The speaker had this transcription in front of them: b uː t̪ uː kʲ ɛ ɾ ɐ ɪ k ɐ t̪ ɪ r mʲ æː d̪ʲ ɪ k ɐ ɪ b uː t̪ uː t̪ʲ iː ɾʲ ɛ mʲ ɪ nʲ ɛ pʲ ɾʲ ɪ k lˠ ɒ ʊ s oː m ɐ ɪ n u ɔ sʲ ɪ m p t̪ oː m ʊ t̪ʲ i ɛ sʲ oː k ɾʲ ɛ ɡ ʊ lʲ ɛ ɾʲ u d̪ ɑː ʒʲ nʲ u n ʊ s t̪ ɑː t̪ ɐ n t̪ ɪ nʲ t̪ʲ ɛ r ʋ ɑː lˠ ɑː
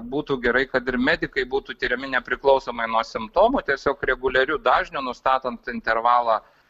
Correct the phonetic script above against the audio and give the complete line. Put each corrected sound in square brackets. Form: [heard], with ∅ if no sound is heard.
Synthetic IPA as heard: b uː t̪ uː [ɡʲ] ɛ ɾ ɐ ɪ k ɐ t̪ ɪ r mʲ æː d̪ʲ ɪ k ɐ ɪ b uː t̪ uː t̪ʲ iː ɾʲ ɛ mʲ ɪ nʲ ɛ pʲ ɾʲ ɪ k lˠ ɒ ʊ s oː m ɐ ɪ n u ɔ sʲ ɪ m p t̪ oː m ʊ t̪ʲ i ɛ sʲ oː k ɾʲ ɛ ɡ ʊ lʲ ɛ ɾʲ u d̪ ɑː ʒʲ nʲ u n ʊ s t̪ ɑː t̪ ɐ n t̪ ɪ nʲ t̪ʲ ɛ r ʋ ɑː lˠ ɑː